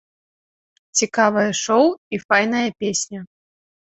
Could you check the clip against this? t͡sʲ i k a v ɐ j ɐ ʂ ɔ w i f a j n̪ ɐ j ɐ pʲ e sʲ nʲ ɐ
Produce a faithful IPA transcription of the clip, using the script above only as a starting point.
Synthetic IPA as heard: t͡sʲ i k a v ɐ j ɐ ʂ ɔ w i f a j n̪ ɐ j ɐ pʲ e sʲ nʲ ɐ